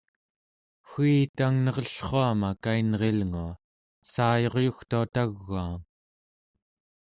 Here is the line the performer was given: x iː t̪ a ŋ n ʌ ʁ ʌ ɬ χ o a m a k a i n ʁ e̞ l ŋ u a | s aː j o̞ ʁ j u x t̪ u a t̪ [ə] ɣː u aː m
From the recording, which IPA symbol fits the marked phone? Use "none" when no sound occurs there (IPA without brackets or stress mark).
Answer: a